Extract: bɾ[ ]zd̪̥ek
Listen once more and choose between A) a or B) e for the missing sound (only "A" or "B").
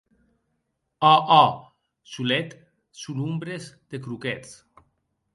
B